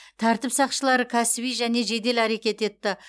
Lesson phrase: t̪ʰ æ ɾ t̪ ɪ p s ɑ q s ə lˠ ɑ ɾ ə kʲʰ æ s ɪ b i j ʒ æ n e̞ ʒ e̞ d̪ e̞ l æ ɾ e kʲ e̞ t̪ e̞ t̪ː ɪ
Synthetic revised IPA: t̪ʰ æ ɾ t̪ ɪ p s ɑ q ʃ ə lˠ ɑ ɾ ə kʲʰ æ s ɪ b i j ʒ æ n e̞ ʒ e̞ d̪ e̞ l æ ɾ e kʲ e̞ t̪ e̞ t̪ː ɪ